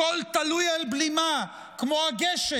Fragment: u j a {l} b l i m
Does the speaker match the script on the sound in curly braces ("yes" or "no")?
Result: yes